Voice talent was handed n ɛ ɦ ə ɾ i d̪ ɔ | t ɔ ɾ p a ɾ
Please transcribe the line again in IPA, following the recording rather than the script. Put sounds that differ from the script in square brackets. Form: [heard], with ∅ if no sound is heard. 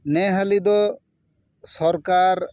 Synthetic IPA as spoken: n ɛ ɦ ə [l] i d̪ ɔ | [s] ɔ ɾ [k] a ɾ